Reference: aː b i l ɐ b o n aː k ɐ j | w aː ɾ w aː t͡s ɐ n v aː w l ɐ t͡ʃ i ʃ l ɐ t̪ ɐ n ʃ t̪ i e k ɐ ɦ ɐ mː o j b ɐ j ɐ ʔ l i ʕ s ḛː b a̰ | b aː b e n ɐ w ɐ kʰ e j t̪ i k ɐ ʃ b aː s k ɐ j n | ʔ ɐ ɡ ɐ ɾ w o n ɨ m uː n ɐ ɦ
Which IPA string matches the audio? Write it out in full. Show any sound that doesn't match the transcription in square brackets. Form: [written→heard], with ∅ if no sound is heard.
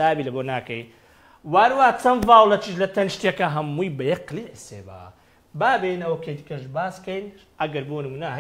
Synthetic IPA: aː b i l ɐ b o n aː k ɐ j | w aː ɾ w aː t͡s ɐ n v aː w l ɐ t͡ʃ i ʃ l ɐ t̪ ɐ n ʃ t̪ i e k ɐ ɦ ɐ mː [o→u] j b ɐ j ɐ [ʔ→q] l i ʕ s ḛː b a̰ | b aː b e n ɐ w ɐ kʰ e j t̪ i k ɐ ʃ b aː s k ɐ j n | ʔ ɐ ɡ ɐ ɾ [w→b] o n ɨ m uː n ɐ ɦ